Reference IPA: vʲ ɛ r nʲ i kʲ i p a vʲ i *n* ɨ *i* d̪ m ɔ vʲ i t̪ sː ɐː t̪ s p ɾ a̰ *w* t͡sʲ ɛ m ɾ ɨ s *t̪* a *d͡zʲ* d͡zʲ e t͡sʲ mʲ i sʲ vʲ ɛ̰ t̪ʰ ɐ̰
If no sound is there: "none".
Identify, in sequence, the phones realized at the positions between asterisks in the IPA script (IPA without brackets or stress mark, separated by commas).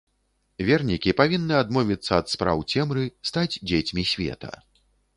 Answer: nː, a, w, t̪, d͡zʲ